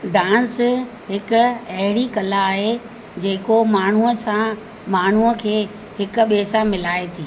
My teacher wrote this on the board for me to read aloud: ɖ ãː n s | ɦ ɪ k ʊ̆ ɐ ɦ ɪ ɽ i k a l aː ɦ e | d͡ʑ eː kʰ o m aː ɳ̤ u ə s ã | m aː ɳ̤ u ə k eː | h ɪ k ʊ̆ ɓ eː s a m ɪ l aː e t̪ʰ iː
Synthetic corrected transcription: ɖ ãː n s | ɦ ɪ k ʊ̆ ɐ ɦ ɪ ɽ i k ɐ l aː ɦ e | d͡ʑ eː k o m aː ɳ̤ u ə s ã | m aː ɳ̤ u ə kʰ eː | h ɪ k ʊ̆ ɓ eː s a m ɪ l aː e t̪ʰ iː